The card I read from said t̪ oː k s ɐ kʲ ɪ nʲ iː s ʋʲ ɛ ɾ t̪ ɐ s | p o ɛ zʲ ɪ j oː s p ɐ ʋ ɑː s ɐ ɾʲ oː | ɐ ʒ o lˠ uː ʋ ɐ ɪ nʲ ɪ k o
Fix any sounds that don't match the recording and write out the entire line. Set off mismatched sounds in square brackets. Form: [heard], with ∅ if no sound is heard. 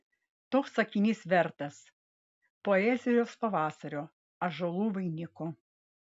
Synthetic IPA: t̪ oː k s ɐ kʲ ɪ nʲ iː s ʋʲ ɛ ɾ t̪ ɐ s | p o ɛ zʲ ɪ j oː s p ɐ ʋ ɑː s ɐ ɾʲ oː | ɐ ʒ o lˠ uː ʋ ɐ ɪ nʲ ɪ k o